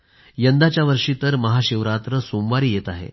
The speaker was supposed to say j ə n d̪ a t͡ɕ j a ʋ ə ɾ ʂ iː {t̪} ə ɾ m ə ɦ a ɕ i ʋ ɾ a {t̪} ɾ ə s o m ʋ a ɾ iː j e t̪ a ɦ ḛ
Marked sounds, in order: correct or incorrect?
correct, correct

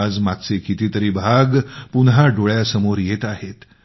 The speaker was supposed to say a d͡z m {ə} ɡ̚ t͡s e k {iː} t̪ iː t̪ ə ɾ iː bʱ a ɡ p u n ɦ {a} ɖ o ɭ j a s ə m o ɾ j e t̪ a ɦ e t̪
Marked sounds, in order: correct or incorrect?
incorrect: a, incorrect: i, correct

